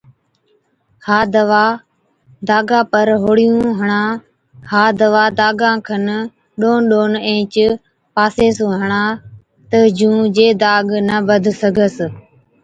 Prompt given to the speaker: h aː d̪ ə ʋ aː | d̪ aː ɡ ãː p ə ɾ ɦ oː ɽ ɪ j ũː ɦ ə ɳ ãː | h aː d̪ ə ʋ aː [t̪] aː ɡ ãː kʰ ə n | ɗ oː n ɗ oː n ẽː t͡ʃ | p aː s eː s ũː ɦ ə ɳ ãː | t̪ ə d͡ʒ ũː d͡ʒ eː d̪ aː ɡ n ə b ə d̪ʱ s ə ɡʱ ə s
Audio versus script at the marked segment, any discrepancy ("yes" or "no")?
yes